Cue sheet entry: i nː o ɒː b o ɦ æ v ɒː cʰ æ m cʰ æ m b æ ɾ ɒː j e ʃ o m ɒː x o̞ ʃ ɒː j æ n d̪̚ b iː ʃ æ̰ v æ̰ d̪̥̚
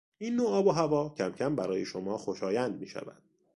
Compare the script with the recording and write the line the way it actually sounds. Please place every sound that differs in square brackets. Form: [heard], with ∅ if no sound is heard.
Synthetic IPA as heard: i nː o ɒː b o ɦ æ v ɒː cʰ æ m cʰ æ m b æ ɾ ɒː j e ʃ o m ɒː x o̞ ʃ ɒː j æ n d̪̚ [m] iː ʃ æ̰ v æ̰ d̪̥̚